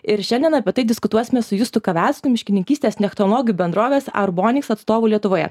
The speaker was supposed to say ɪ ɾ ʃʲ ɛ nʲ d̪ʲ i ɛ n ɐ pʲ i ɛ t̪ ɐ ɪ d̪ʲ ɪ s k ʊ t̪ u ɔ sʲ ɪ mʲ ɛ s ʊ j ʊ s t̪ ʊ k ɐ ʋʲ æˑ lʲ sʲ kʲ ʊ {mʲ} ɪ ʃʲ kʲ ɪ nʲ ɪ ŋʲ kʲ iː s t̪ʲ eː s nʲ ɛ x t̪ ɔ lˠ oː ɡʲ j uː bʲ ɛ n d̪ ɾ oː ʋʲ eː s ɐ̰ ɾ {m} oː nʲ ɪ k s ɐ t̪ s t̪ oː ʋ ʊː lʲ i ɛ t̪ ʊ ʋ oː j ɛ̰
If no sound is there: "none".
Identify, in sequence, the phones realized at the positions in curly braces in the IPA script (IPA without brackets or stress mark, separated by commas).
mʲ, b